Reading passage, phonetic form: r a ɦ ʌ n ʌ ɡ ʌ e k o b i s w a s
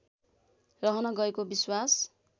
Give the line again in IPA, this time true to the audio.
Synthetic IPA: r ʌ ɦ ʌ n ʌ ɡ ʌ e k o b i s w a s